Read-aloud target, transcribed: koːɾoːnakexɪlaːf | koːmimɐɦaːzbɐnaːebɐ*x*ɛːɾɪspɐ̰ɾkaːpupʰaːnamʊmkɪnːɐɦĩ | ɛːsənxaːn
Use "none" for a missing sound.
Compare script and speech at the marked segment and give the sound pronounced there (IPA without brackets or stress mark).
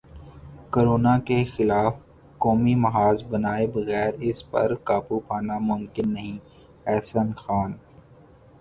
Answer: ɣ